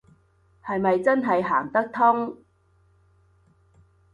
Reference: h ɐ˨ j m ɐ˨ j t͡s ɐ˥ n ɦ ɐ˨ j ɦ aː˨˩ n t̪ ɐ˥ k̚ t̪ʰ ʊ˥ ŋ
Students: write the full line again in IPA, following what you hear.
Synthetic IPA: h ɐ˨ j m ɐ˨ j t͡s ɐ˥ n ɦ ɐ˨ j ɦ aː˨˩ ŋ t̪ ɐ˥ k̚ t̪ʰ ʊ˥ ŋ